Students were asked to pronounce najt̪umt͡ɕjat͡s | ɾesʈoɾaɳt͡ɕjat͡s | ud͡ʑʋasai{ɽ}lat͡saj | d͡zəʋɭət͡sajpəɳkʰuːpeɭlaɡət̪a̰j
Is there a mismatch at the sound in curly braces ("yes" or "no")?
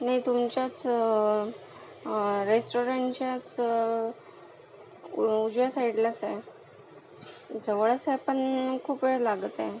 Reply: no